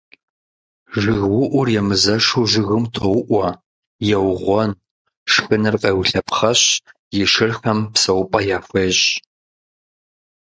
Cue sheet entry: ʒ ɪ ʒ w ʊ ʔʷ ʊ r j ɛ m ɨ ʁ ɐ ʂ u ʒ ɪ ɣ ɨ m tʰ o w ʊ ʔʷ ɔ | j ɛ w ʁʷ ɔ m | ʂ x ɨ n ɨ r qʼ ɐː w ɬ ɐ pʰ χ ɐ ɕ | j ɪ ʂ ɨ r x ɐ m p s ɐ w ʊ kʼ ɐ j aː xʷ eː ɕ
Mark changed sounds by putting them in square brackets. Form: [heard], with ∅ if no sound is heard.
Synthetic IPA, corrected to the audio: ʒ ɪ [ɣ] w ʊ ʔʷ ʊ r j ɛ m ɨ [z] ɐ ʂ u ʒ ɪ ɣ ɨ m tʰ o w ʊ ʔʷ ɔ | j ɛ w ʁʷ ɔ [n] | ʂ x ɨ n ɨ r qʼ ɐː w ɬ ɐ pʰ χ ɐ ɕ | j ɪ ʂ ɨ r x ɐ m p s ɐ w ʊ [pʼ] ɐ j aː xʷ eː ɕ

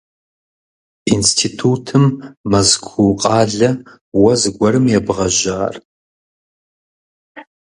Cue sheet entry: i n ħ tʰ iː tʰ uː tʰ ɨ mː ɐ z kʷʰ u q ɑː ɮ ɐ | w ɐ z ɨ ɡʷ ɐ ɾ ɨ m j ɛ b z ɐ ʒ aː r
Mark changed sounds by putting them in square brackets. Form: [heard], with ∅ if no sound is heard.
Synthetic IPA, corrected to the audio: i n [s] tʰ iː tʰ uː tʰ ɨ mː ɐ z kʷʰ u [qʼ] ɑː ɮ ɐ | w ɐ z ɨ ɡʷ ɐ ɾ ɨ m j ɛ b [ʁ] ɐ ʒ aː r

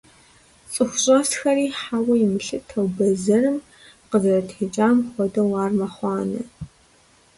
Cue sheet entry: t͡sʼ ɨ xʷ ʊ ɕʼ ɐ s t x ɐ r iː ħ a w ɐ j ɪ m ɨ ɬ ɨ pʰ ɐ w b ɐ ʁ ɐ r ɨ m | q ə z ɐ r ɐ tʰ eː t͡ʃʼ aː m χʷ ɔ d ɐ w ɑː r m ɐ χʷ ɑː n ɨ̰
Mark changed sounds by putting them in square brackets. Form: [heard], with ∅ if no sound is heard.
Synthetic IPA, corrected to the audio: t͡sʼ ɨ xʷ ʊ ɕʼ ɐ s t x ɐ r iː ħ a w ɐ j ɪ m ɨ ɬ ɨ [tʰ] ɐ w b ɐ [z] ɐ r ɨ m | q ə z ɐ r ɐ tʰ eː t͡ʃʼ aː m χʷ ɔ d ɐ w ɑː r m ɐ χʷ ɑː n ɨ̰

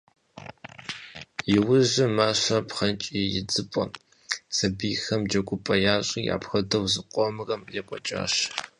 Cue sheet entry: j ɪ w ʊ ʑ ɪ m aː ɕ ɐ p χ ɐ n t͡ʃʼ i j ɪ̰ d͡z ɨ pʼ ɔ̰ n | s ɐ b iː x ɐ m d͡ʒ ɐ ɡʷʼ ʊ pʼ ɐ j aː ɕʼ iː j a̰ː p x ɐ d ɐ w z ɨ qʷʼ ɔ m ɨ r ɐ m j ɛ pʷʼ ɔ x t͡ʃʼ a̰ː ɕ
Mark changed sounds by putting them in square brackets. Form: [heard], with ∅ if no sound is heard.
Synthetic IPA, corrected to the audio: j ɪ w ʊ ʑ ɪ m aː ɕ ɐ p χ ɐ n t͡ʃʼ i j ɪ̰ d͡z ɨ pʼ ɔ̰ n | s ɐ b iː x ɐ m d͡ʒ ɐ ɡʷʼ ʊ pʼ ɐ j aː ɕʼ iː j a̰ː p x ɐ d ɐ w z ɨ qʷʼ ɔ m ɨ r ɐ m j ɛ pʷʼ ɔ [∅] t͡ʃʼ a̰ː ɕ

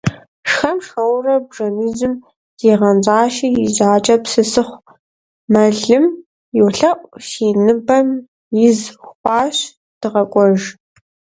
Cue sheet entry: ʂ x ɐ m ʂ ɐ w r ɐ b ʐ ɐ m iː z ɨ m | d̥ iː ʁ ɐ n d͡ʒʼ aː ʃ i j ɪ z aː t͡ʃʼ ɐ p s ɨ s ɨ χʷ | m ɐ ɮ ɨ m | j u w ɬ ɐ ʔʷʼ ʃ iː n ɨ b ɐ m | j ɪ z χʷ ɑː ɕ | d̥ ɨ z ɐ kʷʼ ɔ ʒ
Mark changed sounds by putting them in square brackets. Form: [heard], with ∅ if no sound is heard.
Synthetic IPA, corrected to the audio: ʂ x ɐ m ʂ ɐ w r ɐ b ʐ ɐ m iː z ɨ m | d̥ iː ʁ ɐ n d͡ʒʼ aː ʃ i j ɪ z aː t͡ʃʼ ɐ p s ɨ s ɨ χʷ | m ɐ ɮ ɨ m | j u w ɬ ɐ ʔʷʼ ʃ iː n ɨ b ɐ m | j ɪ z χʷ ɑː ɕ | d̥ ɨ [ʁ] ɐ kʷʼ ɔ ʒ

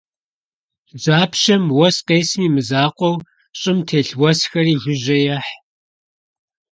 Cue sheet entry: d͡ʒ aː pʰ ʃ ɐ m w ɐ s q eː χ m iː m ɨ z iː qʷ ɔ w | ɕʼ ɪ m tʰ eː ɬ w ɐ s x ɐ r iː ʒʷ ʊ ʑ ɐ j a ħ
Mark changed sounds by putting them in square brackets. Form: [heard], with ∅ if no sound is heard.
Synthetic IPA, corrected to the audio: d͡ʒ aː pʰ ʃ ɐ m w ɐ s q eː [s] m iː m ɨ z [aː] qʷ ɔ w | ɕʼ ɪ m tʰ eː ɬ w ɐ s x ɐ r iː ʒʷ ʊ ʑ ɐ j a ħ

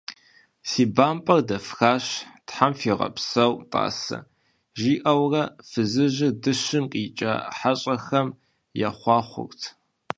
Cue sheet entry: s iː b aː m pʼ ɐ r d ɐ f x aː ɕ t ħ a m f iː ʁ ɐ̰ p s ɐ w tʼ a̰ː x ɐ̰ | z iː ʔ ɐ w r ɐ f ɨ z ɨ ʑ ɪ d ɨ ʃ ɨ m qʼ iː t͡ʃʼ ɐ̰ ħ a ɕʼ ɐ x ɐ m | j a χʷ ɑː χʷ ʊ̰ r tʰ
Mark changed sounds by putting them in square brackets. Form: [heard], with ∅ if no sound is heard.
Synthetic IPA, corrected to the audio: s iː b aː m pʼ ɐ r d ɐ f x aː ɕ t ħ a m f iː ʁ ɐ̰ p s ɐ w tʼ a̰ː [s] ɐ̰ | [ʒ] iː ʔ ɐ w r ɐ f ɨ z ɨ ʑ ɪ d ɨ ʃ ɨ m qʼ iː t͡ʃʼ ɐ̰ ħ a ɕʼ ɐ x ɐ m | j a χʷ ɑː χʷ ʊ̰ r tʰ

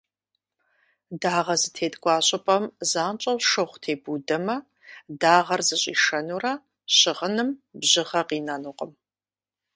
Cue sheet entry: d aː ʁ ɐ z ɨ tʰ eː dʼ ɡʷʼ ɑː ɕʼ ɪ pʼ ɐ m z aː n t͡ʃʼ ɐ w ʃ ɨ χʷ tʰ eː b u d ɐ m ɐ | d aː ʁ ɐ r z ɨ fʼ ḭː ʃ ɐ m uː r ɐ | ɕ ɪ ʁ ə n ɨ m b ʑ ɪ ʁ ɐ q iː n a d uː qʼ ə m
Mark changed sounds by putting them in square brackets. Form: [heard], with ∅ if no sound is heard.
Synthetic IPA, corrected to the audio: d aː ʁ ɐ z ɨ tʰ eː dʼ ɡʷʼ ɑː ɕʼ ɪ pʼ ɐ m z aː n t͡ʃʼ ɐ w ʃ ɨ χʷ tʰ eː b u d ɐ m ɐ | d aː ʁ ɐ r z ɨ [ɕʼ] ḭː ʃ ɐ [n] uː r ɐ | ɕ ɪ ʁ ə n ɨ m b ʑ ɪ ʁ ɐ q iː n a [n] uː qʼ ə m

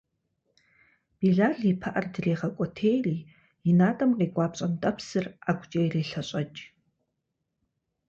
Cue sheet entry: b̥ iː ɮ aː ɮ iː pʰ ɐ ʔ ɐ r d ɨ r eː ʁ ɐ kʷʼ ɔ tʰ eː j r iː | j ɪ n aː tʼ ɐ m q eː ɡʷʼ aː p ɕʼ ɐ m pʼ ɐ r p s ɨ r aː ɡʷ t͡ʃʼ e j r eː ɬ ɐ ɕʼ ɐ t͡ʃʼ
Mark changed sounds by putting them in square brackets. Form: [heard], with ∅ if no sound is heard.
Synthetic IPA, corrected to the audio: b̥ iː ɮ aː ɮ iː pʰ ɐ ʔ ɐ r d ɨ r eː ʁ ɐ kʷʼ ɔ tʰ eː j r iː | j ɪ n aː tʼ ɐ m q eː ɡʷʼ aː p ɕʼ ɐ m [tʼ] ɐ [∅] p s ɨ r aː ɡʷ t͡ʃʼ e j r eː ɬ ɐ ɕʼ ɐ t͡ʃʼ

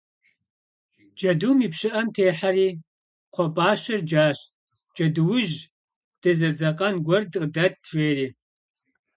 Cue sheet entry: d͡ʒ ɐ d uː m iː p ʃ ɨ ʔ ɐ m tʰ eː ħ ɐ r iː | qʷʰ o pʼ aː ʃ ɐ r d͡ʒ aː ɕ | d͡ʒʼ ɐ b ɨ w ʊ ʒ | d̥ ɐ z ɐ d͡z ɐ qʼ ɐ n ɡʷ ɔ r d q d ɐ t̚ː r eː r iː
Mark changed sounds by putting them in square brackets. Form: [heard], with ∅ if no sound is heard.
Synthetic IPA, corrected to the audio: d͡ʒ ɐ d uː m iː p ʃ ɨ ʔ ɐ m tʰ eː ħ [a] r iː | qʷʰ [ɔ] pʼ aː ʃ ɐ r d͡ʒ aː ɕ | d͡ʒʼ ɐ [d] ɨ w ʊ ʒ | d̥ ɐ z ɐ d͡z ɐ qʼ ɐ n ɡʷ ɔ r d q d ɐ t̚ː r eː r iː

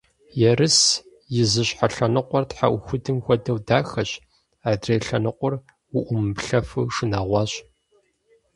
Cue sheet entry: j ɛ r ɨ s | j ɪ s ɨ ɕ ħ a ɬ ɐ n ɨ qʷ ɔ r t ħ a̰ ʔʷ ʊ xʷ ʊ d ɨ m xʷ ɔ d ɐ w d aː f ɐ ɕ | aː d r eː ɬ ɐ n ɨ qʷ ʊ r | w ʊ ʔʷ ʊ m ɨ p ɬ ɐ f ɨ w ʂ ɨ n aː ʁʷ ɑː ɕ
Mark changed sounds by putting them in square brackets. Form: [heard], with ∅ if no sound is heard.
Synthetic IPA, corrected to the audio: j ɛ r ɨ s | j ɪ [z] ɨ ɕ ħ a ɬ ɐ n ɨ qʷ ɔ r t ħ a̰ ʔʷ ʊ xʷ ʊ d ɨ m xʷ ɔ d ɐ w d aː [x] ɐ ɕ | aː d r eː ɬ ɐ n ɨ qʷ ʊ r | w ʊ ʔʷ ʊ m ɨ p ɬ ɐ f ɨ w ʂ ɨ n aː ʁʷ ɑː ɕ

